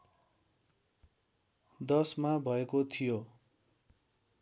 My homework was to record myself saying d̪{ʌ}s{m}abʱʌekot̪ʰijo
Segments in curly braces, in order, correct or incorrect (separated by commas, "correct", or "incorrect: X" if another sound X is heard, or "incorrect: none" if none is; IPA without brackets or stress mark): correct, correct